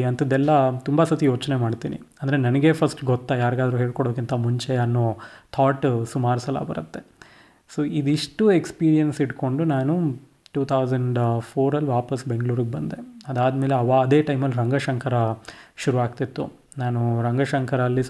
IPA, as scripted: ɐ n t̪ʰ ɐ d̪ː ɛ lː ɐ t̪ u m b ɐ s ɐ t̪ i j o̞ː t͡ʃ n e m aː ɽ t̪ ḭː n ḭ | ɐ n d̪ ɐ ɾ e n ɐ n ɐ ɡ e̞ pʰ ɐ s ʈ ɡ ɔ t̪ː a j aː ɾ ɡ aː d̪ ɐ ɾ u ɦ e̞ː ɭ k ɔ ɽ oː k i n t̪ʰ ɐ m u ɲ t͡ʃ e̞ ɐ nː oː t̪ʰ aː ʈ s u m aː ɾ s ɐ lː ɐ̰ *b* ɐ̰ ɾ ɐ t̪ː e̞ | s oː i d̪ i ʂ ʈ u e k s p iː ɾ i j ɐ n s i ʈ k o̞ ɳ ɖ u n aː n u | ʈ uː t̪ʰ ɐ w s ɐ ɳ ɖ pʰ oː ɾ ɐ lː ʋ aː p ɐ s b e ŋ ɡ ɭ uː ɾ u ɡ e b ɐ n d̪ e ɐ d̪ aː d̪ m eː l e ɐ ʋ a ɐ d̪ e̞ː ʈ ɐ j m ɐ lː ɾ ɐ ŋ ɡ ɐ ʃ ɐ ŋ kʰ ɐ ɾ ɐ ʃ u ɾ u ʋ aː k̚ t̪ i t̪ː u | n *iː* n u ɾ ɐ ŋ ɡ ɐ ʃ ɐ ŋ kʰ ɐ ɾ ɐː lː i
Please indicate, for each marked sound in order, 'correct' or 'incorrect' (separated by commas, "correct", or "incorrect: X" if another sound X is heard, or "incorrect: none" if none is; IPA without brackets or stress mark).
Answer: correct, incorrect: aː